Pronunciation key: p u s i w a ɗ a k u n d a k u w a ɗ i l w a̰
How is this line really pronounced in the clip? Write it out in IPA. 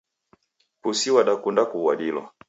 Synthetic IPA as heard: p u s i w a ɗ a k u n d a k u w a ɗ i l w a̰